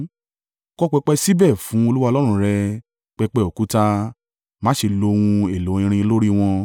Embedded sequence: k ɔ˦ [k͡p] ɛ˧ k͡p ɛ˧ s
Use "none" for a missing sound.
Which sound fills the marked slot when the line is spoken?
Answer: k͡p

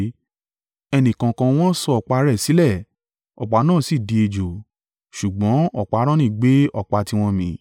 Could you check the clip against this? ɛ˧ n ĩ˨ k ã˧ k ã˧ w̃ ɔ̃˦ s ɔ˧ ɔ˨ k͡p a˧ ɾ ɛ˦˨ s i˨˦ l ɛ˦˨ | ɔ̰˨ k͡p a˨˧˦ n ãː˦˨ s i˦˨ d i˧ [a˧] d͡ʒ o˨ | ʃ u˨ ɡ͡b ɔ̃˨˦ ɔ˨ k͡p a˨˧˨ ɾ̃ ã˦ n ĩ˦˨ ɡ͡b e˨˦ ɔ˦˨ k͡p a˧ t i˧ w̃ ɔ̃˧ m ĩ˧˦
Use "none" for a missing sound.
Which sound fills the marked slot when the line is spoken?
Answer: e˧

